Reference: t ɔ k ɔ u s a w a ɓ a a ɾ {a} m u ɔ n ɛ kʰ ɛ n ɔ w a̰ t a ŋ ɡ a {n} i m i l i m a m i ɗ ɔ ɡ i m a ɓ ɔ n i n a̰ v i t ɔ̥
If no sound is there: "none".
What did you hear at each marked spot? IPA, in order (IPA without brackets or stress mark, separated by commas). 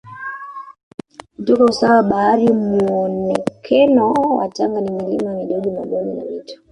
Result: i, n